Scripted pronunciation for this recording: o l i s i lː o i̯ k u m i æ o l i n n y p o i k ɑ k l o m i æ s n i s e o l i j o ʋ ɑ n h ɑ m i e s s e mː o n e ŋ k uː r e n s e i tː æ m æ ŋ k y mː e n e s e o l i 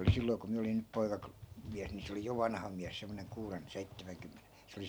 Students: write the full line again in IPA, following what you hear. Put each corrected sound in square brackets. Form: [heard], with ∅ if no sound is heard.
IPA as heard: o l i s i lː o i̯ k u m i æ o l i n n y p o i k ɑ k l o m i æ s n i s e o l i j o ʋ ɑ n h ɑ m i [æ] s s e mː o n e ŋ k uː r e n s e i tː æ m æ ŋ k y mː e n e s e o l i